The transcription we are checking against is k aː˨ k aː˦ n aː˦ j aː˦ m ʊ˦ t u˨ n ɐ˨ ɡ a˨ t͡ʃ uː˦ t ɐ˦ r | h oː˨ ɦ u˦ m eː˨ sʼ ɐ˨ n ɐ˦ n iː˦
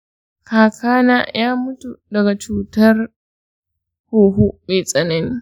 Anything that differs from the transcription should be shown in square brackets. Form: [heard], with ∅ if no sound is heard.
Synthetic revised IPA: k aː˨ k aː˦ n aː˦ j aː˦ m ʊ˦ t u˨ [d] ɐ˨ ɡ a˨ t͡ʃ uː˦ t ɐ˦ r | h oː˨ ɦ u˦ m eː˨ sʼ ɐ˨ n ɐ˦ n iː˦